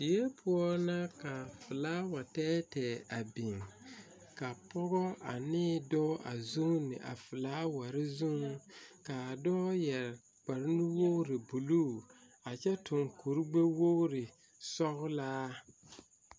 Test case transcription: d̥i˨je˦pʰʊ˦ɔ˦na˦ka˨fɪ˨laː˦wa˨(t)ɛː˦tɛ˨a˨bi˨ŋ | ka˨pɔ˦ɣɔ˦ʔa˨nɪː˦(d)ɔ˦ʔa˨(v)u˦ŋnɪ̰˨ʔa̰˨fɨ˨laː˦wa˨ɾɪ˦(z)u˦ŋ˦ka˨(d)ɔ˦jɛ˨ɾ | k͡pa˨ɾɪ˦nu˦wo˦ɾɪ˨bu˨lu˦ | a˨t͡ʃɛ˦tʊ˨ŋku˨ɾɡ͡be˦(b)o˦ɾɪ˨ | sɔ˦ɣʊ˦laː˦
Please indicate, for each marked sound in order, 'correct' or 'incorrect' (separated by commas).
correct, correct, incorrect, correct, correct, incorrect